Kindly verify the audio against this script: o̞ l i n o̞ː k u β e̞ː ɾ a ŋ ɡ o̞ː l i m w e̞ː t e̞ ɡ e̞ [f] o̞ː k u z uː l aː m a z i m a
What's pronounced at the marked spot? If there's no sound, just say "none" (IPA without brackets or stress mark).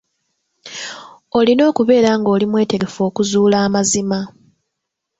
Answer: f